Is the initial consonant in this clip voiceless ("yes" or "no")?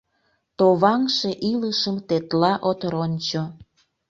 yes